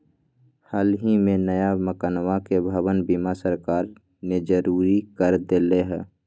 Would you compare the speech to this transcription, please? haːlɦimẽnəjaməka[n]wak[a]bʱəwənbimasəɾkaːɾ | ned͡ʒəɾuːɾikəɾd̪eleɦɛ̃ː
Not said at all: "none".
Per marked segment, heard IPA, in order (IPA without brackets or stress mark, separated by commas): n, e